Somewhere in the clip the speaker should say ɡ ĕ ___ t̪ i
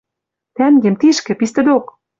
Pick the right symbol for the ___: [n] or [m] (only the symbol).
m